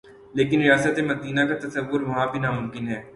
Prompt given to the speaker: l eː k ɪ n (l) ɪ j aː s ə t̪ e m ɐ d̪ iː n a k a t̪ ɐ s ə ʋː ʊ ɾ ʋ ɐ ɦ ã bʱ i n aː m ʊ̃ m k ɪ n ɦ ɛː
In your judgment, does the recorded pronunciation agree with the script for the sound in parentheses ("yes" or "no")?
no